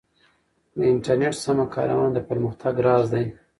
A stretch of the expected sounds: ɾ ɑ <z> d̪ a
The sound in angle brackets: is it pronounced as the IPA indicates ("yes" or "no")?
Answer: yes